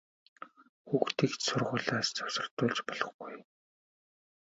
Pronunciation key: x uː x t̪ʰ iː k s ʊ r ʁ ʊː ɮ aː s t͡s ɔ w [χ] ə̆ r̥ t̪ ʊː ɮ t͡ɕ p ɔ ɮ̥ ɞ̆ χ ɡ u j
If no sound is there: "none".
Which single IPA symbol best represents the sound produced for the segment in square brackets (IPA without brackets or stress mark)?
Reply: s